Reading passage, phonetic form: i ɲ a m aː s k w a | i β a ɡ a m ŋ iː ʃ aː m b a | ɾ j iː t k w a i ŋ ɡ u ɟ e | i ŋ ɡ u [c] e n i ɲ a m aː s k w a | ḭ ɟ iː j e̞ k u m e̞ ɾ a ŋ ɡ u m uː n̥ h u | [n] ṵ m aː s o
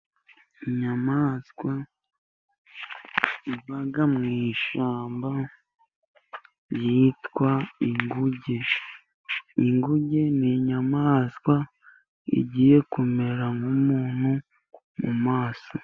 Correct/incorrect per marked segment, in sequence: incorrect, incorrect

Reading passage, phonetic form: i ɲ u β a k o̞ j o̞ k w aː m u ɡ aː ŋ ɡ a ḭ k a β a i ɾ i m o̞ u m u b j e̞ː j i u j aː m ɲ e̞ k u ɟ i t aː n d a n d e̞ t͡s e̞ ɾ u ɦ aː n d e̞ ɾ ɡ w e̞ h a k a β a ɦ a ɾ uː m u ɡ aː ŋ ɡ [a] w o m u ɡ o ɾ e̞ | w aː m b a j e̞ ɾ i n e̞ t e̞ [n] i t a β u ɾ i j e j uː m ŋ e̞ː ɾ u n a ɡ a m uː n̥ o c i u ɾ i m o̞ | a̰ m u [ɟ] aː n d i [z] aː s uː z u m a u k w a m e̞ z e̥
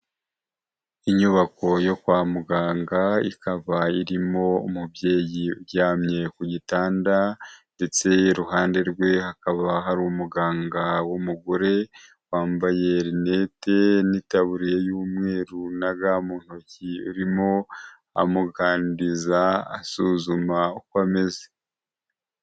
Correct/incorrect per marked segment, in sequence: correct, correct, incorrect, correct

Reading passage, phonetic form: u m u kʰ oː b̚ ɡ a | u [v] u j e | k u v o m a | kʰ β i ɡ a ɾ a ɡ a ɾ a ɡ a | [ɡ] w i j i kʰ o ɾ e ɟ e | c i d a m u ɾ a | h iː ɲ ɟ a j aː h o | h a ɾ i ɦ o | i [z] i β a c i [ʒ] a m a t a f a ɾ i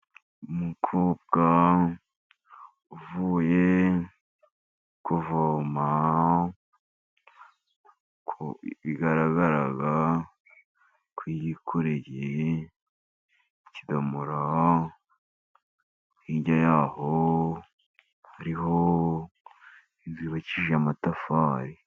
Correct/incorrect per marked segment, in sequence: correct, incorrect, correct, correct

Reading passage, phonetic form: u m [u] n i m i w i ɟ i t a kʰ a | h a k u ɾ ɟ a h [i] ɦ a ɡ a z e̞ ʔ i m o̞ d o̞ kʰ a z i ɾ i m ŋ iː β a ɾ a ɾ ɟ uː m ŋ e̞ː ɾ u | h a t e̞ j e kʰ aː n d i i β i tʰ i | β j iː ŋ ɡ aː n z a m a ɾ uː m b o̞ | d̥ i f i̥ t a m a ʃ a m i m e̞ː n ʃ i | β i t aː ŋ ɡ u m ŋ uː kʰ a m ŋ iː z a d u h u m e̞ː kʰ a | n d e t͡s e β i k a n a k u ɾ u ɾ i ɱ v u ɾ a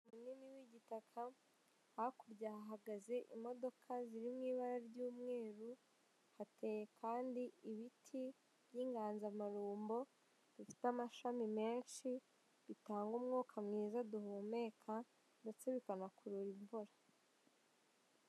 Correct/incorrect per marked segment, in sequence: correct, incorrect

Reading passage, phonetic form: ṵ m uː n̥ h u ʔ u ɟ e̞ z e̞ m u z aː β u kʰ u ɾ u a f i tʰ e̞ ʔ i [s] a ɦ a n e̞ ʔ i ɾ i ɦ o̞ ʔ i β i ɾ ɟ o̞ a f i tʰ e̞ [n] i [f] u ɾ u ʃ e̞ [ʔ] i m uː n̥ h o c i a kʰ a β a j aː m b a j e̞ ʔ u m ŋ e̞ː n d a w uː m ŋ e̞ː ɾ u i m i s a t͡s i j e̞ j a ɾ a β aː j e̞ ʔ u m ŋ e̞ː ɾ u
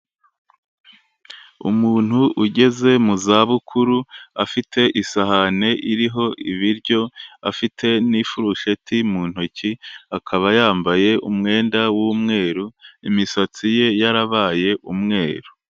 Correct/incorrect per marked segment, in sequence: correct, correct, correct, incorrect

